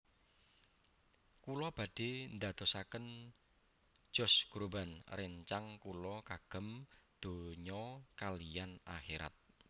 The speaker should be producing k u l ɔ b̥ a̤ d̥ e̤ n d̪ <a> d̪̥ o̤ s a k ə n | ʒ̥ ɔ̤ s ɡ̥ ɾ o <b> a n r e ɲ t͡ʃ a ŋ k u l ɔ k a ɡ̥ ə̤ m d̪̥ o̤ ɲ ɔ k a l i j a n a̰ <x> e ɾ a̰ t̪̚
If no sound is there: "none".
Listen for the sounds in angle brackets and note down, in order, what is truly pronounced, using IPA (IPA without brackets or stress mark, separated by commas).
a, b, x